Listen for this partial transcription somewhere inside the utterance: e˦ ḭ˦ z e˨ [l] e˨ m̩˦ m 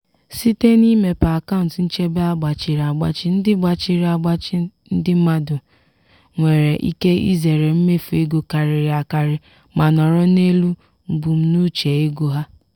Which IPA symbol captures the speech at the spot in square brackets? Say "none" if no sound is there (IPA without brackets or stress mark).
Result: ɾ